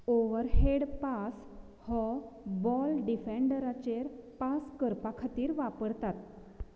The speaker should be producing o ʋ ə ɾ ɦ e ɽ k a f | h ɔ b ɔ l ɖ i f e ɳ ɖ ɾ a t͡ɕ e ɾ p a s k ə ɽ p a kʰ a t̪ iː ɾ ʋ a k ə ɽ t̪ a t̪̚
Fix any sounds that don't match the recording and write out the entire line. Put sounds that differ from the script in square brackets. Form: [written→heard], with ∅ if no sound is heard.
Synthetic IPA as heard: o ʋ ə ɾ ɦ e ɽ [k→p] a [f→s] | h ɔ b ɔ l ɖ i f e ɳ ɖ ɾ a t͡ɕ e ɾ p a s k ə [ɽ→ɾ] p a kʰ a t̪ iː ɾ ʋ a [k→p] ə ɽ t̪ a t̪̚